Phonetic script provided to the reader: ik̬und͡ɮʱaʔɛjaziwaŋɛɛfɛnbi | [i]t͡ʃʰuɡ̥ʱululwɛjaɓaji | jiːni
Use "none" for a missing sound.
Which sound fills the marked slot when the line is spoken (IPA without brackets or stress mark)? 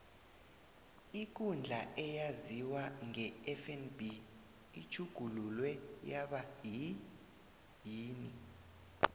i